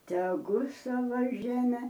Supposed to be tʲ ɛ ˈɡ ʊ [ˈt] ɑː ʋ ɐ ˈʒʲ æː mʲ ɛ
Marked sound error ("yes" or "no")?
yes